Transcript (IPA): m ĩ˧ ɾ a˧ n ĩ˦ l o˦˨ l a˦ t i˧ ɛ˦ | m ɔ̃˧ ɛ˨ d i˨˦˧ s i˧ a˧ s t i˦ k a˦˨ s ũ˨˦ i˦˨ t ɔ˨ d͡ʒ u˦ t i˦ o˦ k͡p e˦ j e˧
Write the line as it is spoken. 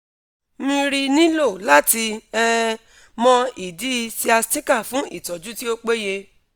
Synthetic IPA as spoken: m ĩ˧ ɾ i˧ n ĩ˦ l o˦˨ l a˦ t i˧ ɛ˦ | m ɔ̃˧ i˨ d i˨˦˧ s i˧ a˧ s t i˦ k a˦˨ f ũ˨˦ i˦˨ t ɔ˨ d͡ʒ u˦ t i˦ o˦ k͡p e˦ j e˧